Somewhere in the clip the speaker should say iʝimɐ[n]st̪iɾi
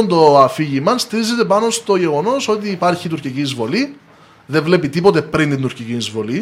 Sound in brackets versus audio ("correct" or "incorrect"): correct